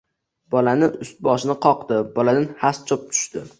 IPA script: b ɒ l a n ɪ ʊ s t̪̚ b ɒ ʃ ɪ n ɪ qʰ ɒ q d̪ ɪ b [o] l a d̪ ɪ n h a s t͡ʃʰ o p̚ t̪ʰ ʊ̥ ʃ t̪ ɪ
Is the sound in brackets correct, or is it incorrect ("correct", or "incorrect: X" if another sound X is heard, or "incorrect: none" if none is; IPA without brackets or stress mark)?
incorrect: ɒ